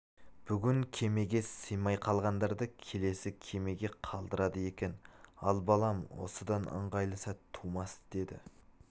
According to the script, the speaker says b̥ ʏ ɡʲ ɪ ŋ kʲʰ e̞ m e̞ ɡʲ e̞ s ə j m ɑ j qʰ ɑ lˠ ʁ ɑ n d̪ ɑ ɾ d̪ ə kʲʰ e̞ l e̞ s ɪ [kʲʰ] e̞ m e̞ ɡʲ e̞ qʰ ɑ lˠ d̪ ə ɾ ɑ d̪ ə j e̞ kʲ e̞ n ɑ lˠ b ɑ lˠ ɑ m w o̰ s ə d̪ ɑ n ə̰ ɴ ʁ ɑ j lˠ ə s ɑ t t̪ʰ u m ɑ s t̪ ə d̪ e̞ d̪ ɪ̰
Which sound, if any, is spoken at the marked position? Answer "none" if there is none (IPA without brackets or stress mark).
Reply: kʲʰ